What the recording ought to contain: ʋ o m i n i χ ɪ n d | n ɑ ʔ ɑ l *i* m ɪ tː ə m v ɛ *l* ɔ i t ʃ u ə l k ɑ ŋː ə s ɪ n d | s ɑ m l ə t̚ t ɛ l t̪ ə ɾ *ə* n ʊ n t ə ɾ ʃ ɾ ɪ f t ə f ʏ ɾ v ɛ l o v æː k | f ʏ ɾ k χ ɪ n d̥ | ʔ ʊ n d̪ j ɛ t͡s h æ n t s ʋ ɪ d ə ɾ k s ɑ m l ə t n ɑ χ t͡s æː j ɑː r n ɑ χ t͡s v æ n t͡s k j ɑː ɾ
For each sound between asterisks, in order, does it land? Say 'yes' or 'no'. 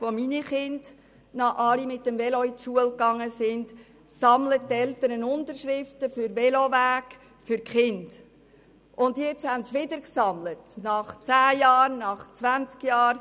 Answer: yes, yes, yes

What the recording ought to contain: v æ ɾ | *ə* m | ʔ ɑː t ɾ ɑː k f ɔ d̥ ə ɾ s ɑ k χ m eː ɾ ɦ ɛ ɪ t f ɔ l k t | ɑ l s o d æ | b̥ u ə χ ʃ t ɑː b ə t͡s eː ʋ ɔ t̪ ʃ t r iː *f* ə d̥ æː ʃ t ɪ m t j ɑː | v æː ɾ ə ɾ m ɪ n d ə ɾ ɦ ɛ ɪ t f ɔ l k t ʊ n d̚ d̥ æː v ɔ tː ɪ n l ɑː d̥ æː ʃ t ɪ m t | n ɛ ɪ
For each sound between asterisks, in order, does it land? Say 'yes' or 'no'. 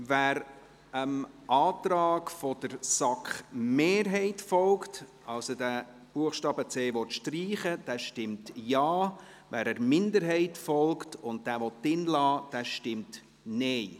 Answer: yes, no

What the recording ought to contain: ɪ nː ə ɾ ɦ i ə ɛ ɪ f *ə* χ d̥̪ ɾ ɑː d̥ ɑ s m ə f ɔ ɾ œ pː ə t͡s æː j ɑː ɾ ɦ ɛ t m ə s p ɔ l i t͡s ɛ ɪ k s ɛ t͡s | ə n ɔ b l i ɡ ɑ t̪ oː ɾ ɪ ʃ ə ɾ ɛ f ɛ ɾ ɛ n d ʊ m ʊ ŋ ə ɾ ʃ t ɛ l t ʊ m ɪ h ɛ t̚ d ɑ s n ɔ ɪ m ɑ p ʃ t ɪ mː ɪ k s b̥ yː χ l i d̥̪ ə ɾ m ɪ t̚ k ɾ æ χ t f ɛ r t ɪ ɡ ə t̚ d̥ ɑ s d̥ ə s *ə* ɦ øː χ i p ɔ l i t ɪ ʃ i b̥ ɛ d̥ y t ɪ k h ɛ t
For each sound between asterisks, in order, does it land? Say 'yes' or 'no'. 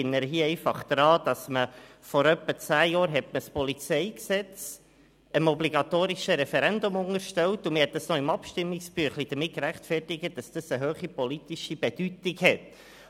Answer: no, yes

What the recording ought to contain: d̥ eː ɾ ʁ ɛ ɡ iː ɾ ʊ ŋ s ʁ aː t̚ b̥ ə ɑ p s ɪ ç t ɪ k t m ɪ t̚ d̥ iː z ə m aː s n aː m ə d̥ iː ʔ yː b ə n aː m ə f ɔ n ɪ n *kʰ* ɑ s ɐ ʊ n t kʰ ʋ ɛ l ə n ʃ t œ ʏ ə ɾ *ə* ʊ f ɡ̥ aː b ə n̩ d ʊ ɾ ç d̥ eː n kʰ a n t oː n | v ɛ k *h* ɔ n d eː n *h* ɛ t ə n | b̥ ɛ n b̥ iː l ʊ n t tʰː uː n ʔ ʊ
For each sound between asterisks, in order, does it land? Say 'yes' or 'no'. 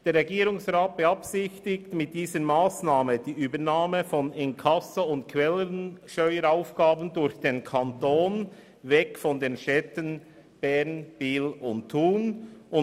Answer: yes, no, no, no

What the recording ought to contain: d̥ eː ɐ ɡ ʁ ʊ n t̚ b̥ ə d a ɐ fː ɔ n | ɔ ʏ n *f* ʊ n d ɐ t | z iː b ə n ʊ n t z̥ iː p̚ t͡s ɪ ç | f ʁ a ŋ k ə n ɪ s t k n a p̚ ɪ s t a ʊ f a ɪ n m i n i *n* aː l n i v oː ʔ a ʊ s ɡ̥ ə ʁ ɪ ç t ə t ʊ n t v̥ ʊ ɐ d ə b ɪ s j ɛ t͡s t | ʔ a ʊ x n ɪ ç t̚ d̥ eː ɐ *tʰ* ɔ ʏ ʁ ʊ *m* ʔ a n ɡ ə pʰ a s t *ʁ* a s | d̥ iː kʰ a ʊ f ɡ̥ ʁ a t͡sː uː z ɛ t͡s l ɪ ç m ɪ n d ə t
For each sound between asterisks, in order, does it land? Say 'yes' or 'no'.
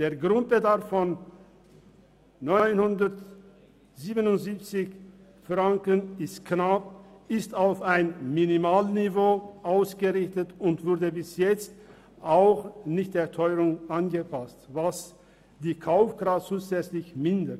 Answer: no, no, yes, no, no

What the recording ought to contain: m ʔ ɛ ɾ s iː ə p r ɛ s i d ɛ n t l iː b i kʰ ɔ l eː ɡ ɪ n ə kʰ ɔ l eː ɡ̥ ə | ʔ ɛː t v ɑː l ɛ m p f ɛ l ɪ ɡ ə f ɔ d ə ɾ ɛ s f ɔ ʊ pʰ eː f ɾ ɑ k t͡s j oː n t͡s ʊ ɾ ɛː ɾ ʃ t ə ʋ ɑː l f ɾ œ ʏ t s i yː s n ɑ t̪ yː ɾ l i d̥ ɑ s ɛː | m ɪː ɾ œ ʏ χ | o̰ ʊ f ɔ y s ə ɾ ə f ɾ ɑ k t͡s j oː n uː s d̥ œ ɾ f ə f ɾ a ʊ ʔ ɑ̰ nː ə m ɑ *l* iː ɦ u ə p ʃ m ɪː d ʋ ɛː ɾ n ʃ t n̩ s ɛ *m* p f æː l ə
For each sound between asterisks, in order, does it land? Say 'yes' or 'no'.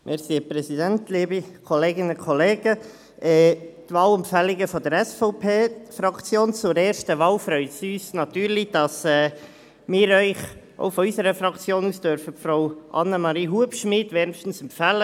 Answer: no, yes

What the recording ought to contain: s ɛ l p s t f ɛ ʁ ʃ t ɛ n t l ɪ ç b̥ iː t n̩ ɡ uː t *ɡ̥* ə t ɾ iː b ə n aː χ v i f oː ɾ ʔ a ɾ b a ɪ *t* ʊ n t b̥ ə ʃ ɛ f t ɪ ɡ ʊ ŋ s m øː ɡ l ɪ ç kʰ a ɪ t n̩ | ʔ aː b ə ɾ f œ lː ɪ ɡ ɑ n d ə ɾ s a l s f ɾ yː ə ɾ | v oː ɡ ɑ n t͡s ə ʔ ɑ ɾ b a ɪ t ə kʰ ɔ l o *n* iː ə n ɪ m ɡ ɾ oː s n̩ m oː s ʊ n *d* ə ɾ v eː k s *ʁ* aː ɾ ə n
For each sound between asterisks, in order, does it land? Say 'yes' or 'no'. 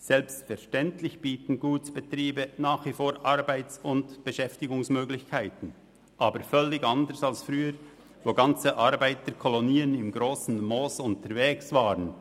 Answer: no, no, yes, no, no

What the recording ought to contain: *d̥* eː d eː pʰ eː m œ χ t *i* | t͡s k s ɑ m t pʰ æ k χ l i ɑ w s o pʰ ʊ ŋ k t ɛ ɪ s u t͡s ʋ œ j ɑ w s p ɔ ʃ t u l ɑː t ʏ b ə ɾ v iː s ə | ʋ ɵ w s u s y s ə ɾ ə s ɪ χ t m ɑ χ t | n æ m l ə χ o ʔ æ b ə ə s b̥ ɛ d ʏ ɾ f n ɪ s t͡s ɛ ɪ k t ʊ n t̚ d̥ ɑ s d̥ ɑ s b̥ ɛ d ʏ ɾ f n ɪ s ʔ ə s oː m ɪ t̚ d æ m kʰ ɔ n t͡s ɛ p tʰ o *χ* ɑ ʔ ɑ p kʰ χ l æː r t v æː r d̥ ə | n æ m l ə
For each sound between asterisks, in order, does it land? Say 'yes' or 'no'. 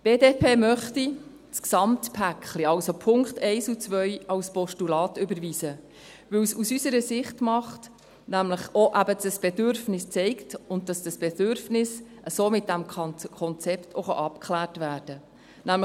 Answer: no, yes, yes

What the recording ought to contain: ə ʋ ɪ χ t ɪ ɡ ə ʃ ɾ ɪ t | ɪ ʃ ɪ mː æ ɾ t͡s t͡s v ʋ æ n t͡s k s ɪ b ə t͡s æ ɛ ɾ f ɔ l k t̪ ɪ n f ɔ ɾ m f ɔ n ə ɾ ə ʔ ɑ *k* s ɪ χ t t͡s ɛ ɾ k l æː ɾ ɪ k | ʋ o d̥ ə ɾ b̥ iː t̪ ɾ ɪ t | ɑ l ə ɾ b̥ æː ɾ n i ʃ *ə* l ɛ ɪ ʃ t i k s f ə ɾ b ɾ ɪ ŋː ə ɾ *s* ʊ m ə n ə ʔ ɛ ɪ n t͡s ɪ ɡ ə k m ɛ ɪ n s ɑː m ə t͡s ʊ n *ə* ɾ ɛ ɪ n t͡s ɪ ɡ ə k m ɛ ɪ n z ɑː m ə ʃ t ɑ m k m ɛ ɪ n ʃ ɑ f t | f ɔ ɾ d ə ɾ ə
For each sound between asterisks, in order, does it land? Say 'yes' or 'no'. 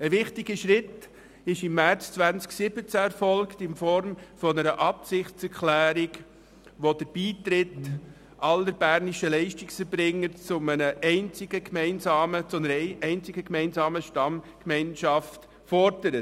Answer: no, yes, no, yes

